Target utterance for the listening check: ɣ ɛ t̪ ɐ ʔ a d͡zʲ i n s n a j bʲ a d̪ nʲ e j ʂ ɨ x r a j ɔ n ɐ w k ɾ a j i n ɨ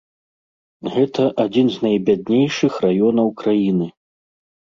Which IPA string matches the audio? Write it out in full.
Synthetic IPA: ɣ ɛ t̪ ɐ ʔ a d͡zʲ i n z n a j bʲ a d̪ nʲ e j ʂ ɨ x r a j ɔ n ɐ w k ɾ a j i n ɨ